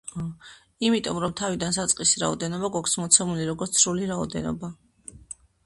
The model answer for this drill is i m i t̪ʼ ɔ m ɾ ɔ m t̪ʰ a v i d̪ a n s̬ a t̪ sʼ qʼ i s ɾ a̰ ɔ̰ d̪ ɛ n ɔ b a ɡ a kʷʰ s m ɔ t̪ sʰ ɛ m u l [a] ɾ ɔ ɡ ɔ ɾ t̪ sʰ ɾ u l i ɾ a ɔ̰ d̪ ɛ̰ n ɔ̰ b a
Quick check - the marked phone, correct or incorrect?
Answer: incorrect